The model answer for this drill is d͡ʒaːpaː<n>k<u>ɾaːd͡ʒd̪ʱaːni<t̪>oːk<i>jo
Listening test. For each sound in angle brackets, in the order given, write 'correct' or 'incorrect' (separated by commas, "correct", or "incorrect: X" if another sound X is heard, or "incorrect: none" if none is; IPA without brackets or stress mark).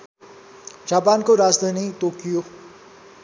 correct, incorrect: o, correct, correct